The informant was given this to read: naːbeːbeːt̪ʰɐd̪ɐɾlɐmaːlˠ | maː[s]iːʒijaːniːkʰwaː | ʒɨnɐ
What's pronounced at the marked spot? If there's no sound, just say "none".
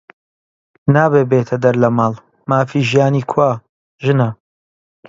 f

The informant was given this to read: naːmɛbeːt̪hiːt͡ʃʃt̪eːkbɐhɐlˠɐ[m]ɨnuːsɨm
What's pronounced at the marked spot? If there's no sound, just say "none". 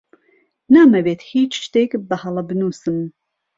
b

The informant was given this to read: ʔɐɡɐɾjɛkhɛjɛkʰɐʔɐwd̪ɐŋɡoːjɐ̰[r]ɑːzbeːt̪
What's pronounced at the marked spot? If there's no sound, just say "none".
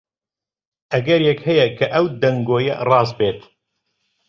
r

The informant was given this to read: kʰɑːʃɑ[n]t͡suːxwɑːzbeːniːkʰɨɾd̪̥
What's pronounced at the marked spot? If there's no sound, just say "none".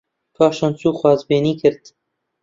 n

